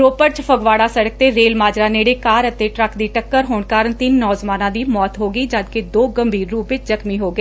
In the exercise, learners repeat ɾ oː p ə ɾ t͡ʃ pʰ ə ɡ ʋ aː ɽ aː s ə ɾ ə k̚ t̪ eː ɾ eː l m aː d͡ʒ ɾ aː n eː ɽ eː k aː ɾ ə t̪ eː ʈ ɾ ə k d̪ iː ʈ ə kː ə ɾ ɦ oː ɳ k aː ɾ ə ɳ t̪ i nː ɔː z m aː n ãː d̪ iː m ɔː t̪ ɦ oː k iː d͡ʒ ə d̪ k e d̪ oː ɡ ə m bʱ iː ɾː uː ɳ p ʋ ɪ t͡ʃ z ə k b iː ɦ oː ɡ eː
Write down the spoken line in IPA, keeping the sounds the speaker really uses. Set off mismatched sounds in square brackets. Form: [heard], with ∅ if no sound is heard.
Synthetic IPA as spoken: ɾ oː p ə ɾ t͡ʃ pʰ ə ɡ ʋ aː ɽ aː s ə [ɽ] ə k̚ t̪ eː ɾ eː l m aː d͡ʒ ɾ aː n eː ɽ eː k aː ɾ ə t̪ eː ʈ ɾ ə k d̪ iː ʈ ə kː ə ɾ ɦ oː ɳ k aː ɾ ə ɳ t̪ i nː ɔː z m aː n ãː d̪ iː m ɔː t̪ ɦ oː [ɡ] iː d͡ʒ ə d̪ k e d̪ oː ɡ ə m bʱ iː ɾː uː [∅] p ʋ ɪ t͡ʃ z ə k [m] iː ɦ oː ɡ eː